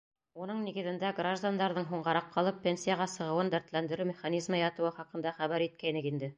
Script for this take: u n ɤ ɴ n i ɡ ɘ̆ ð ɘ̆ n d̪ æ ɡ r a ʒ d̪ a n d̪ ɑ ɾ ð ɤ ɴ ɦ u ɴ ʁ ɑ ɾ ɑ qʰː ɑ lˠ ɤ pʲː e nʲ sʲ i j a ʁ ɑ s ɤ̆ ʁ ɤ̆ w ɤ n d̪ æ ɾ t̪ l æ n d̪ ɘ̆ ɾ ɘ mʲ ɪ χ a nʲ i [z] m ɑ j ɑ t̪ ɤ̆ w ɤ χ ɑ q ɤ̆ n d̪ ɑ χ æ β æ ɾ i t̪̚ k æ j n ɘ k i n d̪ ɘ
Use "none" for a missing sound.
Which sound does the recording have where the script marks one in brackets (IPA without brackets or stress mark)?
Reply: z